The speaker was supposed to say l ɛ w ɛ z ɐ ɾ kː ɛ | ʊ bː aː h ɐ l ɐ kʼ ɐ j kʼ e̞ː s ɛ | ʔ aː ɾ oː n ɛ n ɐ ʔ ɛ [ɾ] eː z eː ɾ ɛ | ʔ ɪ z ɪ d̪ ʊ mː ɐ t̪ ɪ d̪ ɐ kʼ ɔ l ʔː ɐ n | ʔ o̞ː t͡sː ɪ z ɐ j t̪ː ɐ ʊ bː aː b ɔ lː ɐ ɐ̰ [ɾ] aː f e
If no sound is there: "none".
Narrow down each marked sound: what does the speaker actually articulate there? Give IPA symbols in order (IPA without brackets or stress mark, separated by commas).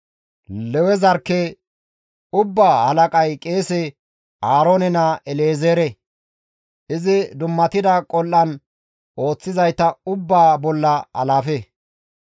l, l